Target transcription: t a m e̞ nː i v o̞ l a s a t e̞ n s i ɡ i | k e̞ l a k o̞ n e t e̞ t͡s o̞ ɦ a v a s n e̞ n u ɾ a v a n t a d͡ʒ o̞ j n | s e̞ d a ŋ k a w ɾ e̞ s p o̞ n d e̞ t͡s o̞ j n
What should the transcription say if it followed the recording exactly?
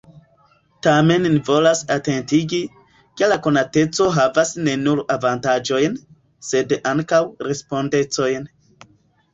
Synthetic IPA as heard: t a m e̞ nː i v o̞ l a s a t e̞ n t i ɡ i | k e̞ l a k o̞ n a t e̞ t͡s o̞ ɦ a v a s n e̞ n u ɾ a v a n t a d͡ʒ o̞ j n | s e̞ d a ŋ k a w ɾ e̞ s p o̞ n d e̞ t͡s o̞ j n

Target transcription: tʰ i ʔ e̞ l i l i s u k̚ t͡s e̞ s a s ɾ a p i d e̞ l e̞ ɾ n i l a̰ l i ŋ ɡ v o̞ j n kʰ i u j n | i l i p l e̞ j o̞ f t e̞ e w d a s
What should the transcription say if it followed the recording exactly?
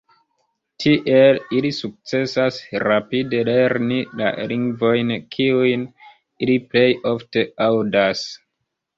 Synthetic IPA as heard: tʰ i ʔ e̞ l i l i s u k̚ t͡s e̞ s a s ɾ a p i d e̞ l e̞ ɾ n i l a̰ l i ŋ ɡ v o̞ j n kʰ i u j n | i l i p l e̞ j o̞ f t e̞ a w d a s

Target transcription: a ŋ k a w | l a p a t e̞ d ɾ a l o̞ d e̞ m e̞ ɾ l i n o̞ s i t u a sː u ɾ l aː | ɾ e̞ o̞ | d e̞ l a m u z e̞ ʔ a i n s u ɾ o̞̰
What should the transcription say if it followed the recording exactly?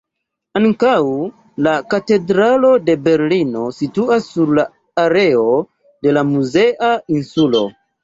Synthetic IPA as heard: a ŋ k a w | l a k a t e̞ d ɾ a l o̞ d e̞ b e̞ ɾ l i n o̞ s i t u a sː u ɾ l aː | ɾ e̞ o̞ | d e̞ l a m u z e̞ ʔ a i n s u l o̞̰

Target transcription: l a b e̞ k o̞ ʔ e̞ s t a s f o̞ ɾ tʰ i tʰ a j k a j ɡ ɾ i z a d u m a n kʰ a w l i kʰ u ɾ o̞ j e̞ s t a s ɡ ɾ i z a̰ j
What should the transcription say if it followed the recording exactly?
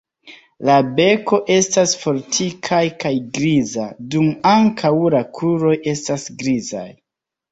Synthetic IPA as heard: l a b e̞ k o̞ ʔ e̞ s t a s f o̞ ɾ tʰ i kʰ a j k a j ɡ ɾ i z a d u m a ŋ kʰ a w l a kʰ u ɾ o̞ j e̞ s t a s ɡ ɾ i z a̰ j

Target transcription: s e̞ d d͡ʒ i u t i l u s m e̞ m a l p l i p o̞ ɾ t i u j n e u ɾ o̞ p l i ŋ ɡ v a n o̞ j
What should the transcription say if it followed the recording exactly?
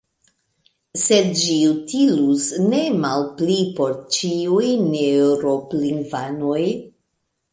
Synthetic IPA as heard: s e̞ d d͡ʒ i u t i l u s n e̞ m a l p l i p o̞ ɾ t͡ʃ i u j n e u ɾ o̞ p l i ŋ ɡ v a n o̞ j

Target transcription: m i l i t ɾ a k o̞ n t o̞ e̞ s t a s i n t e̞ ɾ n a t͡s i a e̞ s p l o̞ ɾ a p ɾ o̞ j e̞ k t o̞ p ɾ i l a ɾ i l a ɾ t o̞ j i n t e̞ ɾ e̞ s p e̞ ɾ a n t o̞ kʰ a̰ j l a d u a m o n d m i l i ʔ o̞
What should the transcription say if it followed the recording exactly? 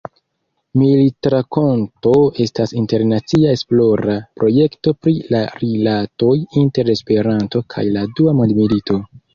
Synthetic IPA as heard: m i l i t ɾ a k o̞ n t o̞ e̞ s t a s i n t e̞ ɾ n a t͡s i a e̞ s p l o̞ ɾ a p ɾ o̞ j e̞ k t o̞ p ɾ i l a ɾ i l a t o̞ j i n t e̞ ɾ e̞ s p e̞ ɾ a n t o̞ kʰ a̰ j l a d u a m o n d m i l i t o̞

